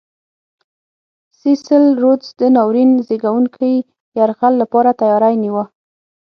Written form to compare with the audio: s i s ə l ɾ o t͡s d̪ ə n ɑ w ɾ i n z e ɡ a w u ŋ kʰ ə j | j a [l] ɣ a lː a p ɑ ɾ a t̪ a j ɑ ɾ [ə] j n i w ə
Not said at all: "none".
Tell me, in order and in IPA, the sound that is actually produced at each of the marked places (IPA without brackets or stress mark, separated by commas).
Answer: ɾ, a